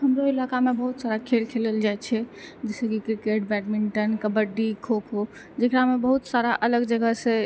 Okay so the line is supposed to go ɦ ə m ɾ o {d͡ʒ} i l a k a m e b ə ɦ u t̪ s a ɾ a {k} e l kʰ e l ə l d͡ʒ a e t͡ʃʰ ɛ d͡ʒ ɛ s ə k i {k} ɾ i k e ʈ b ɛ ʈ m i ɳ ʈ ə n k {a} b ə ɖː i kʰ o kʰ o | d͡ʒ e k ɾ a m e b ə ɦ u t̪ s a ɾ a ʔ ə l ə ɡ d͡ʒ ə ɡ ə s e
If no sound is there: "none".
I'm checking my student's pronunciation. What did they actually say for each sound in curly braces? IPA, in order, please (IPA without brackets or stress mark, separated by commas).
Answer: none, kʰ, k, ə